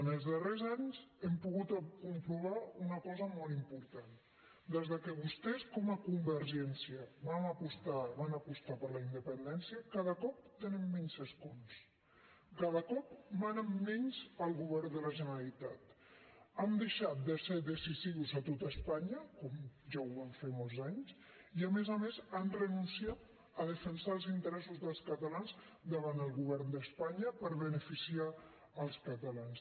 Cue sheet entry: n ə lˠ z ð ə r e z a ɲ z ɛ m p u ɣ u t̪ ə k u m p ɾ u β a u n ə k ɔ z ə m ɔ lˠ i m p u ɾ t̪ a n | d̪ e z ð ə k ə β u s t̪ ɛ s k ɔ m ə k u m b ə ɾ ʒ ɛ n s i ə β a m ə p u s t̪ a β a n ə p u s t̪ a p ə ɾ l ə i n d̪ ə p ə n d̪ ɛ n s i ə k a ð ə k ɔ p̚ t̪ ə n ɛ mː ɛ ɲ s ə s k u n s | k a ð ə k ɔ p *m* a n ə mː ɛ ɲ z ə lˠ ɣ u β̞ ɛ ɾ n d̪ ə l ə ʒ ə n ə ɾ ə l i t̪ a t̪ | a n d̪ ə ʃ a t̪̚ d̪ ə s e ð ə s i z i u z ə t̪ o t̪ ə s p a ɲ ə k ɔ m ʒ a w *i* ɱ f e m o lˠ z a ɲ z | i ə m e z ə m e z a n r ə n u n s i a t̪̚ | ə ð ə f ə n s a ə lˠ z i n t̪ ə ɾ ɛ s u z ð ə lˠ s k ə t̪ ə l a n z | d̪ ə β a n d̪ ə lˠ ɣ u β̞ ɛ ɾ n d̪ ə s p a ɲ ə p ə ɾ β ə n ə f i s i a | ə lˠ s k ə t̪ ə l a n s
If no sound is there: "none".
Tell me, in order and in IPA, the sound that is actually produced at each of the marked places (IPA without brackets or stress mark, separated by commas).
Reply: m, a